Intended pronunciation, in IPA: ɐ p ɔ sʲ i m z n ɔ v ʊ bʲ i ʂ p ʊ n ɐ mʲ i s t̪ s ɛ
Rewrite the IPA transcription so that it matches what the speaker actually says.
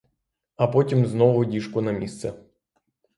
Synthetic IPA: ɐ p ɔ tʲ i m z n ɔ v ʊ dʲ i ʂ k ʊ n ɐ mʲ i s t̪ s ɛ